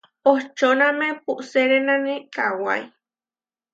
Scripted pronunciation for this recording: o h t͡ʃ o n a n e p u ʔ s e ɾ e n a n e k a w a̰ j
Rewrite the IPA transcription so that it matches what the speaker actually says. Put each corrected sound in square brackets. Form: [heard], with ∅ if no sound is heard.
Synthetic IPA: o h t͡ʃ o n a [m] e p u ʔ s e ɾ e n a n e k a w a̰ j